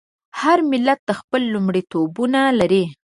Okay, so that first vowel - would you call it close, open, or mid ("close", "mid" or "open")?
open